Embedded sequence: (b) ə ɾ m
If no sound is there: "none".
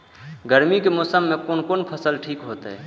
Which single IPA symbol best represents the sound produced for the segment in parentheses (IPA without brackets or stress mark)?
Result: ɡ